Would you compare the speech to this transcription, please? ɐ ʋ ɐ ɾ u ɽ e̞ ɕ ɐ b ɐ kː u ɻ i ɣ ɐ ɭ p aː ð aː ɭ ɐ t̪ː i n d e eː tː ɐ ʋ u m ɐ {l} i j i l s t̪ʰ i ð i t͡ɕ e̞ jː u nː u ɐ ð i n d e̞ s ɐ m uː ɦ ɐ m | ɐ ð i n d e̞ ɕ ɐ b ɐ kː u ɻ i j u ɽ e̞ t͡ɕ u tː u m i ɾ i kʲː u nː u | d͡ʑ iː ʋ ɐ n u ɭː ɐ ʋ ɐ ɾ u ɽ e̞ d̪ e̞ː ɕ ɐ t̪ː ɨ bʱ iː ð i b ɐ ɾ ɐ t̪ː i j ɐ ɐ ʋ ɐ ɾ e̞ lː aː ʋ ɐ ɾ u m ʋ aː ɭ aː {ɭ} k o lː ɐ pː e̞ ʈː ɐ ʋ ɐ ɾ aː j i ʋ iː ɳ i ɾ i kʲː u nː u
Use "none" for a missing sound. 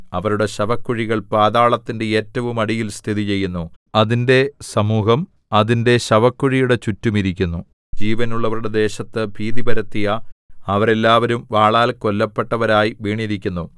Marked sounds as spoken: ɽ, l

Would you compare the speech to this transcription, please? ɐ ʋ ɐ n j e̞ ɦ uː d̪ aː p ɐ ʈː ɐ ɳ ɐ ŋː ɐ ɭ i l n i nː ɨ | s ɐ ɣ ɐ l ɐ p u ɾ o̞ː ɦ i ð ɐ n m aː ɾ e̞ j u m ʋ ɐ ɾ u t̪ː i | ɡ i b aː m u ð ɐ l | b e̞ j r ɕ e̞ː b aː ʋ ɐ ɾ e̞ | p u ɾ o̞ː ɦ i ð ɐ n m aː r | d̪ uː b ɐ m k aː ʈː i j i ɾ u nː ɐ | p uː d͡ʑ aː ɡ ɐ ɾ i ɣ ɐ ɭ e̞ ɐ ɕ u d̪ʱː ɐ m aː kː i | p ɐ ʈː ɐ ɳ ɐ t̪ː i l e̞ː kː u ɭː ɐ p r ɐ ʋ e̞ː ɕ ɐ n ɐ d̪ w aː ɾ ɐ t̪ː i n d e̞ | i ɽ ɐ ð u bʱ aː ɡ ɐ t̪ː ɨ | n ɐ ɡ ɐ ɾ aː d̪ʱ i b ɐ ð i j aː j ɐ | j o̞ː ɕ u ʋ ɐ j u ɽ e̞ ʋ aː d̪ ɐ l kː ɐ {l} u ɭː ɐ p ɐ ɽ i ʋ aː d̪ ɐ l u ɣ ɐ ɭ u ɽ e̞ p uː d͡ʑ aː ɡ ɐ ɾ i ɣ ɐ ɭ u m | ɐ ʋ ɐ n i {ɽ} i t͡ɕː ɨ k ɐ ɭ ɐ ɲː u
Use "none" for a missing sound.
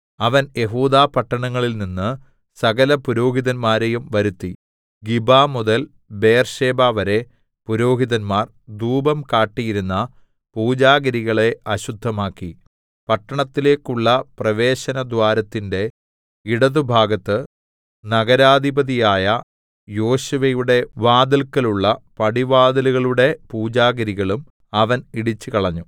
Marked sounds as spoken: l, ɽ

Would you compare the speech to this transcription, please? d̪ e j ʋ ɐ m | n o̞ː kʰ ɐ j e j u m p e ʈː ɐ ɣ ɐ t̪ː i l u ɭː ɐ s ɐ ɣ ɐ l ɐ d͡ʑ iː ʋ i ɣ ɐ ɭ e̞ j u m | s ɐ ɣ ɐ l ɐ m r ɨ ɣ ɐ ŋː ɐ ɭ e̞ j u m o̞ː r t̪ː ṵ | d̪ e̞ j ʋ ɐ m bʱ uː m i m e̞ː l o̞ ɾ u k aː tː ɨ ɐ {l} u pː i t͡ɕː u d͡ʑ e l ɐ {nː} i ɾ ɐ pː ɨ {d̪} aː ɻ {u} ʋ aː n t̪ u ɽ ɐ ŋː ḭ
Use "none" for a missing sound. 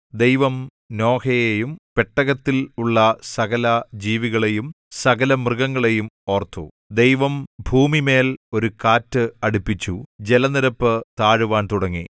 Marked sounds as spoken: ɽ, n, t̪, u

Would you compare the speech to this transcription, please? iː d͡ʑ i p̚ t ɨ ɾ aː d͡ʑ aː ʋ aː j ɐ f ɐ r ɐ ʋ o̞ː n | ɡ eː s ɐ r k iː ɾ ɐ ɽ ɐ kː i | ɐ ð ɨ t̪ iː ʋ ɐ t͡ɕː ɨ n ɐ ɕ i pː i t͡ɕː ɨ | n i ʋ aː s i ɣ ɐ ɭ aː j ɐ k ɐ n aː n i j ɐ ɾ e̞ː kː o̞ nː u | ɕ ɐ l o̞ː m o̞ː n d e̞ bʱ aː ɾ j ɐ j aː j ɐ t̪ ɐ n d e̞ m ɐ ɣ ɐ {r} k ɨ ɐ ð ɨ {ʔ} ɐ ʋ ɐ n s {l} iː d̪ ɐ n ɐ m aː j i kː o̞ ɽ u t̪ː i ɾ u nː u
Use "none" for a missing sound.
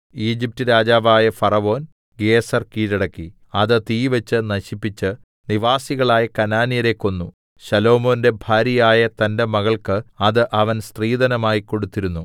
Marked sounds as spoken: ɭ, ʔ, r

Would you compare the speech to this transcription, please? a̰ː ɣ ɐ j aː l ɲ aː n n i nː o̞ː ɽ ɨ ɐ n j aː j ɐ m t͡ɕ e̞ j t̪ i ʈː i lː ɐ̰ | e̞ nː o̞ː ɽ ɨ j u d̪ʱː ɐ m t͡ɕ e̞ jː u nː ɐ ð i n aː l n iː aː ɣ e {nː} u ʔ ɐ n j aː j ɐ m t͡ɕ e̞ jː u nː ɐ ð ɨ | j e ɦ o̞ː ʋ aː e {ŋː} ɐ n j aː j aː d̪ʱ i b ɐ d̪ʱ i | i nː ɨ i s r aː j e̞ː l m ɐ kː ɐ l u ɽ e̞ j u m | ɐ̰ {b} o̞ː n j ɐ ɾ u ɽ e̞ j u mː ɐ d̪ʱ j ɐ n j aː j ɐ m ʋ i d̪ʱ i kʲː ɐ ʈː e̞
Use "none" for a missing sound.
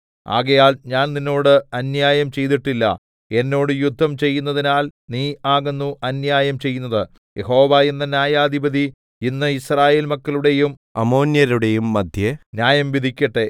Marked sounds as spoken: nː, nː, m

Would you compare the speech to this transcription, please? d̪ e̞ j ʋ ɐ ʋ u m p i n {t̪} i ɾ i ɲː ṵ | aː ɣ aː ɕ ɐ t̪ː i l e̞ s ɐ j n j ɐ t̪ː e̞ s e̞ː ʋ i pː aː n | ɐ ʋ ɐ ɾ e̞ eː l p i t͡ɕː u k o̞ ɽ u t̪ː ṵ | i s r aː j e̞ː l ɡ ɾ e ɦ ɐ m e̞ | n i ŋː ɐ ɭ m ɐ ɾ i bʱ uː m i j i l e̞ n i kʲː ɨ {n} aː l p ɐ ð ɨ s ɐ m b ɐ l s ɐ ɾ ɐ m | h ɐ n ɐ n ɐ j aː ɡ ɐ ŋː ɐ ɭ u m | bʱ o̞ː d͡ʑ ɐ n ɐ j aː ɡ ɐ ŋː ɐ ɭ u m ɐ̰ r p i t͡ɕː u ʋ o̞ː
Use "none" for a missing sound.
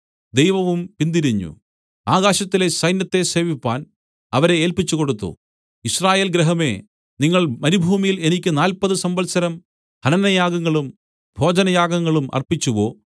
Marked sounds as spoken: d̪, n

